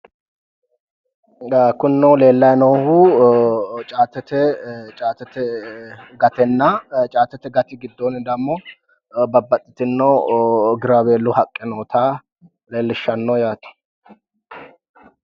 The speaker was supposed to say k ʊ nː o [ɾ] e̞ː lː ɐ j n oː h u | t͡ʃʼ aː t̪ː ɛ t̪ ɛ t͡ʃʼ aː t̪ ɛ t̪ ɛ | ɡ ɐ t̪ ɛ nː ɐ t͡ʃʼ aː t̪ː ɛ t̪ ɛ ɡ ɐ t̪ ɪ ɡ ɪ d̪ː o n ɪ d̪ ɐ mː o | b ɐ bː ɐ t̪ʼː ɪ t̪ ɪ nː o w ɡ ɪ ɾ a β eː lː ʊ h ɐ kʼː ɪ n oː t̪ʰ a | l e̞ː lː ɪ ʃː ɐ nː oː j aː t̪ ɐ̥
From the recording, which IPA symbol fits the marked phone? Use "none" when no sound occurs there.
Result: l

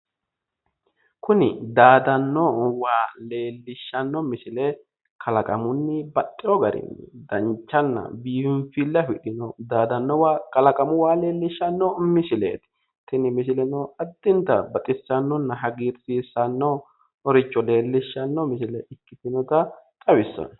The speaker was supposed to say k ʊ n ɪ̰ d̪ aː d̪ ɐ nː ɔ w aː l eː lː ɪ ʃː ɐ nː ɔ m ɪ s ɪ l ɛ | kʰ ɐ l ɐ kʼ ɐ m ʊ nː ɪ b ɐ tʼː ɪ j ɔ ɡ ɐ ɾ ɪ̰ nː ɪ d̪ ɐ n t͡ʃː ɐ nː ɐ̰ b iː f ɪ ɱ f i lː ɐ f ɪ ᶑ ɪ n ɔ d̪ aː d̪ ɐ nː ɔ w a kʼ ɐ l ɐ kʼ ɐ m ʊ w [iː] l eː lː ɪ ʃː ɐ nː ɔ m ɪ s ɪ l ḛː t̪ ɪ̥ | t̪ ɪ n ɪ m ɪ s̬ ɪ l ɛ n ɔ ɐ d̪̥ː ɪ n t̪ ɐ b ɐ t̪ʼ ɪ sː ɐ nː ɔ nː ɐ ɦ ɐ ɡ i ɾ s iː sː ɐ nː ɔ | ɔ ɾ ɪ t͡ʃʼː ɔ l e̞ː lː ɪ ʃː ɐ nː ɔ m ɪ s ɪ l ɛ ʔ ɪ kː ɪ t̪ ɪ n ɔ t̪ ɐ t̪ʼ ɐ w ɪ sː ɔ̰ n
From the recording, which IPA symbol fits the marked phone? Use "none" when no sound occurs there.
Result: aː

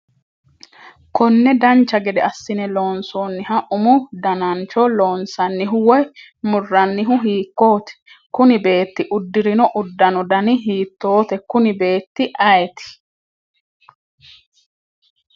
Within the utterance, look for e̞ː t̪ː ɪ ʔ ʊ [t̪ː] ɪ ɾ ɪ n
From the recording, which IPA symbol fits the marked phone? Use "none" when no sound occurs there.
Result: d̪ː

